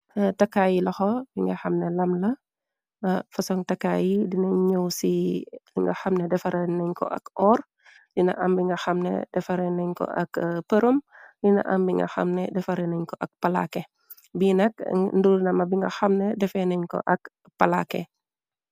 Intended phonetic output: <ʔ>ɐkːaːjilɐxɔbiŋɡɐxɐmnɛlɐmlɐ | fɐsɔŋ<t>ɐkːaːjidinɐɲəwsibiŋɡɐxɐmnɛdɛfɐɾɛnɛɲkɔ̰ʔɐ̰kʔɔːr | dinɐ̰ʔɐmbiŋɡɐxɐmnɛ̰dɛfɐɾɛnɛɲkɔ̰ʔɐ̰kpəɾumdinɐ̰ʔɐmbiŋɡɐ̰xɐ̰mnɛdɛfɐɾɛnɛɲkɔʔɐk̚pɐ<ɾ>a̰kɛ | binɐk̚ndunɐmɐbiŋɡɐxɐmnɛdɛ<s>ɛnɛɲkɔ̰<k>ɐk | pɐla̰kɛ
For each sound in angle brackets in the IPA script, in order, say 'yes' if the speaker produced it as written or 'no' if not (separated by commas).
no, yes, no, no, no